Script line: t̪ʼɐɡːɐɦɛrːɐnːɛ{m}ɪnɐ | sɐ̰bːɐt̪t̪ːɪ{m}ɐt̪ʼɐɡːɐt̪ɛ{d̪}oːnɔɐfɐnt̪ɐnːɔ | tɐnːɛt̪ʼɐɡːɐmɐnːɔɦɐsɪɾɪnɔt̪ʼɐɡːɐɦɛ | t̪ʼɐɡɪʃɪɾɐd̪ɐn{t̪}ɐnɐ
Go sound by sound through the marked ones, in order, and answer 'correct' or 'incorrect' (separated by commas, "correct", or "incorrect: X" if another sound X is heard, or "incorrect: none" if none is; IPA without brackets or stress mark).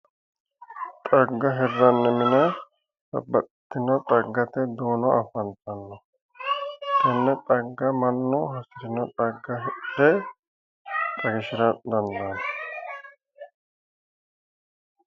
correct, incorrect: n, correct, incorrect: d̪